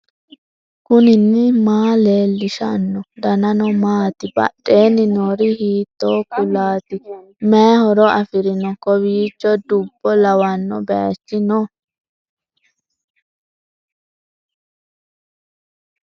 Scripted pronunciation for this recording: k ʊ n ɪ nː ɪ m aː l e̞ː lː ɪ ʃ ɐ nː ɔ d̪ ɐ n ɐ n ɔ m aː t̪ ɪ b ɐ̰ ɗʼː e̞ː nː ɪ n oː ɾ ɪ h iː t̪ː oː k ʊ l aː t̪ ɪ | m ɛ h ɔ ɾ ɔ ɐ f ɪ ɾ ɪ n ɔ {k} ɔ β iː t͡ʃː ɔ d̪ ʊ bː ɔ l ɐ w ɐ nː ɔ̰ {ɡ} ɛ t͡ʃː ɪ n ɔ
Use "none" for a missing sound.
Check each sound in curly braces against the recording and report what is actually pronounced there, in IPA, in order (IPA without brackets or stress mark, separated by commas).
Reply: k, b